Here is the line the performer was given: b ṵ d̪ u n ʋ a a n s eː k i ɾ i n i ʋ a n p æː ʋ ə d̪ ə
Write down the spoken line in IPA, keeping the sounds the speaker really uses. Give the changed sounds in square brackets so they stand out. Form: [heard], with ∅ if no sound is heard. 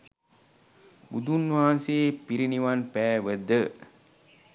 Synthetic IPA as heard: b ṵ d̪ u n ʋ a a n s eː [p] i ɾ i n i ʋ a n p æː ʋ ə d̪ ə